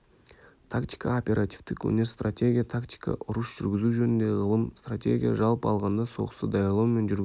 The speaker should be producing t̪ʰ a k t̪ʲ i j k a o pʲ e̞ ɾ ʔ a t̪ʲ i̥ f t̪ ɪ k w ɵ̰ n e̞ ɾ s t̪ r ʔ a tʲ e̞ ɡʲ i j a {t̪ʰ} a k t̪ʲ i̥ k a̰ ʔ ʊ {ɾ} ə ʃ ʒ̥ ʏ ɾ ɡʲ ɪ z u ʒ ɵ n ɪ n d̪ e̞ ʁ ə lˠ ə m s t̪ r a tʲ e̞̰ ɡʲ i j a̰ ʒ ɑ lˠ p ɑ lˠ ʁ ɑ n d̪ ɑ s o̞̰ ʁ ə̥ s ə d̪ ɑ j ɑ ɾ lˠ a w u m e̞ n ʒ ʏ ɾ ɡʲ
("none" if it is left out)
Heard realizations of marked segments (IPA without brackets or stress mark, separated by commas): t̪ʰ, ɾ